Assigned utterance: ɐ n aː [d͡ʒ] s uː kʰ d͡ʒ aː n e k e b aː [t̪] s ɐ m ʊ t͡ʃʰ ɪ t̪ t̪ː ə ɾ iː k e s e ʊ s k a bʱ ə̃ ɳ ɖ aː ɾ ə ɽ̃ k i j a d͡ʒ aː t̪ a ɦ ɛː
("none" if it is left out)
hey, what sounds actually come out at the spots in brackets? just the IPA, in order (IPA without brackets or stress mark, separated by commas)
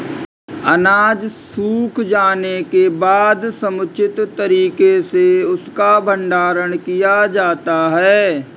d͡ʒ, d̪